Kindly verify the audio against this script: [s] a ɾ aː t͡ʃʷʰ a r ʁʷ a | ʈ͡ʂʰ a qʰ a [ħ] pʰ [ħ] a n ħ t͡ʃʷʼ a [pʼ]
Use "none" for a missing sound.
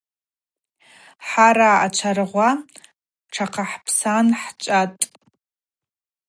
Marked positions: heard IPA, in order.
ħ, ħ, s, tʼ

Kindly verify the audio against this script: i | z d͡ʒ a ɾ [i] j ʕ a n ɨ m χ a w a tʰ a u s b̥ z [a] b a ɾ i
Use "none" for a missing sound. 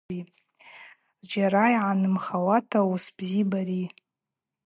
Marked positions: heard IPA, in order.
a, i

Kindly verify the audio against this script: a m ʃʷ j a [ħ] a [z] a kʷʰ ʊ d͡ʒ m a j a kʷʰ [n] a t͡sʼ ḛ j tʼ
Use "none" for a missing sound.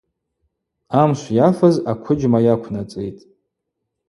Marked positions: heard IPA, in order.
f, z, n

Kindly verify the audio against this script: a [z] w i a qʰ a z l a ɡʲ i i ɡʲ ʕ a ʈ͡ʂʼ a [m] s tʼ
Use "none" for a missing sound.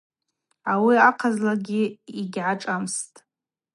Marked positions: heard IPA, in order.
none, m

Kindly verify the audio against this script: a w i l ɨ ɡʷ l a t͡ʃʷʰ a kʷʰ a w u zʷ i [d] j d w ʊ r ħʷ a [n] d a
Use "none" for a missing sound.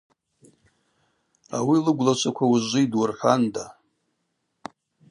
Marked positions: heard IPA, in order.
none, n

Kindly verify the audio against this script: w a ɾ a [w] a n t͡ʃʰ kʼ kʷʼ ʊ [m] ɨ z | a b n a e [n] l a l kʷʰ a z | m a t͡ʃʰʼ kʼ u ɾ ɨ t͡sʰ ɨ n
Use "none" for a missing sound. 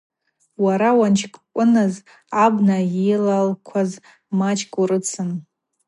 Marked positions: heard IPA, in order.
w, n, none

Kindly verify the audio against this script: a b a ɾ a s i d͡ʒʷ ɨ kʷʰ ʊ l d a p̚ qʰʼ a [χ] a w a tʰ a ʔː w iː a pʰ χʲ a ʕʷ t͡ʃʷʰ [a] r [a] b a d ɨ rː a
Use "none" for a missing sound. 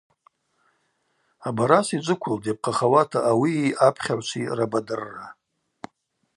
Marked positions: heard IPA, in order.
χ, i, a

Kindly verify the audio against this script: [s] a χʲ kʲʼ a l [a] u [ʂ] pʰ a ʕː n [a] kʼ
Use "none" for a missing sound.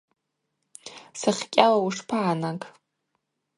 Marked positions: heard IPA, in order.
s, a, ʂ, a

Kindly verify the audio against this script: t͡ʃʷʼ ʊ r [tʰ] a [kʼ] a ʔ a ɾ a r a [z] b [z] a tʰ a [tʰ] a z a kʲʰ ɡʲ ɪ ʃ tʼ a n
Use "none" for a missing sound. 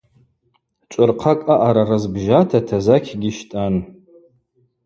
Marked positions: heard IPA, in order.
qʰ, kʼ, z, ʒ, tʰ

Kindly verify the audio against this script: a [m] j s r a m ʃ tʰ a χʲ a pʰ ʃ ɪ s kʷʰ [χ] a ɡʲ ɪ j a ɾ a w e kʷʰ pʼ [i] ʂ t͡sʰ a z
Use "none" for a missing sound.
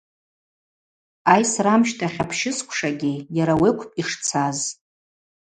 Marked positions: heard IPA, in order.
none, ʂ, i

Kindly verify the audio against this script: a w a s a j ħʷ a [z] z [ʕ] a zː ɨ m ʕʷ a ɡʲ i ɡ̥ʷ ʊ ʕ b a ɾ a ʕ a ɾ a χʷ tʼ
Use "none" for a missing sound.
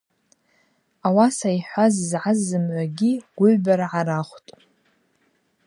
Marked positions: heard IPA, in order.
z, ʕ

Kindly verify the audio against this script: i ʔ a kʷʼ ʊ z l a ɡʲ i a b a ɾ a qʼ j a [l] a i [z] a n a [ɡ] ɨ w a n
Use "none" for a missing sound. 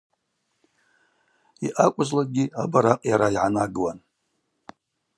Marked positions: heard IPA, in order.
ɾ, ʕ, ɡ

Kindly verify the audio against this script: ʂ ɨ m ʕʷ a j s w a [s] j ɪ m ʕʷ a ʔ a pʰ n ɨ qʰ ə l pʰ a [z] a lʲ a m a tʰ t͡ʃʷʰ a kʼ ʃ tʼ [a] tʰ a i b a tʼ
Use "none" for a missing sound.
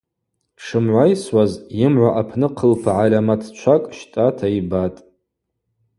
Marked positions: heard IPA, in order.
z, ʕ, a

